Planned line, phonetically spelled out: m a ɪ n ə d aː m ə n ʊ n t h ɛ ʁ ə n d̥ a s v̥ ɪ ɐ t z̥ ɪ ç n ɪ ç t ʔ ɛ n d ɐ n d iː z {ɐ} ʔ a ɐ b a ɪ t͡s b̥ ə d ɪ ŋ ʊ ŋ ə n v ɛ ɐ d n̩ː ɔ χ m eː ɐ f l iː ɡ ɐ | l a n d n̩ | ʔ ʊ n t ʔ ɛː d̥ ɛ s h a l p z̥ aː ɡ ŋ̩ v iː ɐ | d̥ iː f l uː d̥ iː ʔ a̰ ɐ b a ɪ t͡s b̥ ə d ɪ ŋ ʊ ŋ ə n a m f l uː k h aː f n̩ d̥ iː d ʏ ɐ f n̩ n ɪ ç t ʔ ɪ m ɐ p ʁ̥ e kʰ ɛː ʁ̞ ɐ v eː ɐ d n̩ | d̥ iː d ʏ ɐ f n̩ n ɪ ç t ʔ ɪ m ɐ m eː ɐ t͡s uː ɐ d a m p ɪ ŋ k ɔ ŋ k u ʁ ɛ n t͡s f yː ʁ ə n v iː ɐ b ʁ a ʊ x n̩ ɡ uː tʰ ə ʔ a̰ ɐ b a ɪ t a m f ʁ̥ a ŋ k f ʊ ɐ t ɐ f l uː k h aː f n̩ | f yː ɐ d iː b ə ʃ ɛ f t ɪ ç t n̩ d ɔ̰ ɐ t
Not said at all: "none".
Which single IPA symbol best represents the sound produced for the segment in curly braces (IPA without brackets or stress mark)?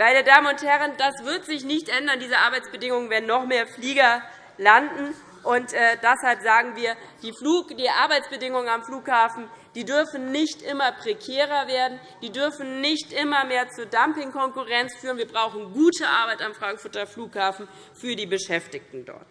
ə